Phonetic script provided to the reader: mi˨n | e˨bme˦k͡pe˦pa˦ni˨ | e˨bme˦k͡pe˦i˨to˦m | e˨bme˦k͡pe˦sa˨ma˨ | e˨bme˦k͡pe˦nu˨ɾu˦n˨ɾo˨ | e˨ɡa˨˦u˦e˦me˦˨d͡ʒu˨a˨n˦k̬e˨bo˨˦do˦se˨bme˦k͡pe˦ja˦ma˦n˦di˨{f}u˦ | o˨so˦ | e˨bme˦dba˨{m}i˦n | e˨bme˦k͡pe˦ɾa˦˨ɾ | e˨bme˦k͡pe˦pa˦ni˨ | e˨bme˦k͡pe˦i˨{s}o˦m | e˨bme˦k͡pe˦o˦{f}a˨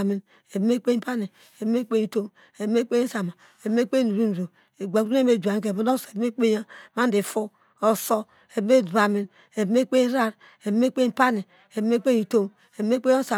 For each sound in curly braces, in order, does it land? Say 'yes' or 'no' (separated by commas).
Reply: yes, yes, no, no